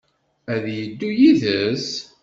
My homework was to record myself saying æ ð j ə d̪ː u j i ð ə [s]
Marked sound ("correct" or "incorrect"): correct